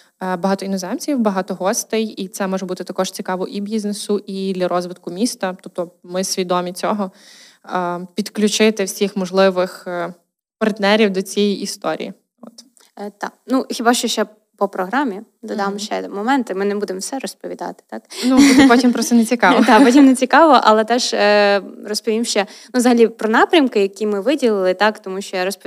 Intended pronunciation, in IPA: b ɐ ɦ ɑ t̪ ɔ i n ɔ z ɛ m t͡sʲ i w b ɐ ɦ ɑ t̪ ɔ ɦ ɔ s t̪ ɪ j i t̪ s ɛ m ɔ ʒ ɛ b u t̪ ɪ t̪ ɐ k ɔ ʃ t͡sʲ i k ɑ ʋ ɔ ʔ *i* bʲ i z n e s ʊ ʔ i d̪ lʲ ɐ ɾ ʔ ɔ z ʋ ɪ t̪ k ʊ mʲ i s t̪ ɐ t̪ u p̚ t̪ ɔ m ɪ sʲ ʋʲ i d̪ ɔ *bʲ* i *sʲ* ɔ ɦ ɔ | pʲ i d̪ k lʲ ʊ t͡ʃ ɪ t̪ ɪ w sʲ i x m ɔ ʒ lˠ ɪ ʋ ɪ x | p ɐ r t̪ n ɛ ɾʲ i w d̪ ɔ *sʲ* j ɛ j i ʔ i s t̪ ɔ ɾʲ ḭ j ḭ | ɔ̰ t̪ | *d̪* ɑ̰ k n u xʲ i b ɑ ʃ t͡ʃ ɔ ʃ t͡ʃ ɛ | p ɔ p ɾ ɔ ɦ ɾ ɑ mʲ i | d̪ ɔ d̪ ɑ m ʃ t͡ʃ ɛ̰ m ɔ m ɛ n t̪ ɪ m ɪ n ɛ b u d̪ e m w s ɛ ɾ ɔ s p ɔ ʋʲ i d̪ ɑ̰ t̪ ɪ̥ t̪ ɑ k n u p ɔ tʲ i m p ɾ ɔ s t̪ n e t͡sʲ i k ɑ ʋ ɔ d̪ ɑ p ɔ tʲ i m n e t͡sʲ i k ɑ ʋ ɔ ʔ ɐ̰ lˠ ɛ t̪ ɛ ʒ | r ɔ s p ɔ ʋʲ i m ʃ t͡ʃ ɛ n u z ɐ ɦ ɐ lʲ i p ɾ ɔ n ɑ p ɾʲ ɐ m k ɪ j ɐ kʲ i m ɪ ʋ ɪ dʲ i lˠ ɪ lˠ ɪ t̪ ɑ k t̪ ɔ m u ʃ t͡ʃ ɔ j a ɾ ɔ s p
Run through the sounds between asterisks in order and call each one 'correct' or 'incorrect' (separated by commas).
correct, incorrect, incorrect, incorrect, incorrect